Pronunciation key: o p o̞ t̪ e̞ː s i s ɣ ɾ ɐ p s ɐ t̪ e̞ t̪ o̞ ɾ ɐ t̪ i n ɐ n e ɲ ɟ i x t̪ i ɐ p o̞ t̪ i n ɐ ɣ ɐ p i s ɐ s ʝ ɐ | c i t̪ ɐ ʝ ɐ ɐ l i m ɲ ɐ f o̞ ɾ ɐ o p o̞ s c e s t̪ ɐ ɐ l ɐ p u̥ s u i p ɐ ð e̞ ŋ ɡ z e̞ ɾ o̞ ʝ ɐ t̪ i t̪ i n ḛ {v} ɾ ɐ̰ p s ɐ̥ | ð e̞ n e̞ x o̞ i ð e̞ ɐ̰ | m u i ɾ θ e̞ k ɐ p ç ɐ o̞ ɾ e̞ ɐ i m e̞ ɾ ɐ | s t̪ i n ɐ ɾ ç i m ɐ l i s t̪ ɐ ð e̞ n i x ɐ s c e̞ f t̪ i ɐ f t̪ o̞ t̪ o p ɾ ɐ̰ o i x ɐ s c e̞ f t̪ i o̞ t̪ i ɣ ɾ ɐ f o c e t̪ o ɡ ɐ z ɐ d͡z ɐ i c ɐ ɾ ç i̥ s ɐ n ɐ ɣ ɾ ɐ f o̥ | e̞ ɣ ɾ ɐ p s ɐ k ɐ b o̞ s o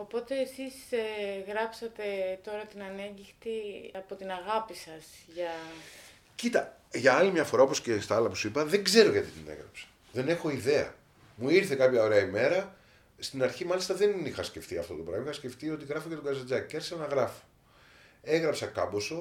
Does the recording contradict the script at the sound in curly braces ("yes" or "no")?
yes